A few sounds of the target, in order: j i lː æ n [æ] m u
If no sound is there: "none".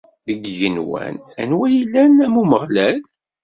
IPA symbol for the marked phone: æ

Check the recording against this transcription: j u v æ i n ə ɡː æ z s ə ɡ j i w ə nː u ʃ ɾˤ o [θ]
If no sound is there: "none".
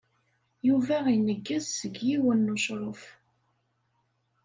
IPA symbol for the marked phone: f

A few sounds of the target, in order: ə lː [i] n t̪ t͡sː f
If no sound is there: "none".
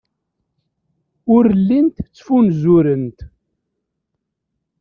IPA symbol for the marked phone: i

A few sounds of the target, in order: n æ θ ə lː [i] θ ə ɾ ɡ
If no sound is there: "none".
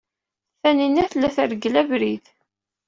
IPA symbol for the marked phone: æ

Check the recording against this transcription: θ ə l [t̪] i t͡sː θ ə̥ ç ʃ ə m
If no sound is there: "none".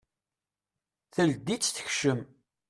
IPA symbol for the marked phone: d̪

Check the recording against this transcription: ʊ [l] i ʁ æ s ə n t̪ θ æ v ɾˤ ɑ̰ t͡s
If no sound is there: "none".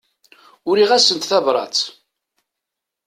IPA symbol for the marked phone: ɾ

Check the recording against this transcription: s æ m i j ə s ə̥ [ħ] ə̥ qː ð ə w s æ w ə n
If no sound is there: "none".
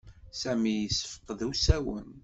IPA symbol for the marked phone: f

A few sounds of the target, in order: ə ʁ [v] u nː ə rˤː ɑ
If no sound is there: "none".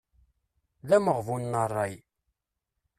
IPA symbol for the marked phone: v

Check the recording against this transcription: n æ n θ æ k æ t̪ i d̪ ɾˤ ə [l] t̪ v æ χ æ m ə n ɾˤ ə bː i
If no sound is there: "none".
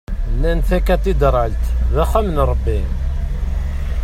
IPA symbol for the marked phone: l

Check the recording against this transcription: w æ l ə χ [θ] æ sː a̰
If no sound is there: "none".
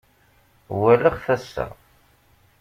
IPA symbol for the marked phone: θ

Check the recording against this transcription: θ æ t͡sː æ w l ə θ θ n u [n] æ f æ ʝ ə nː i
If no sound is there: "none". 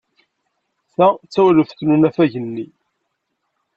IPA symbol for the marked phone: n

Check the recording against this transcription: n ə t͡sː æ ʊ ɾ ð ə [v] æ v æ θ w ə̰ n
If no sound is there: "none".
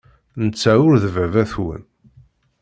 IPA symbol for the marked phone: v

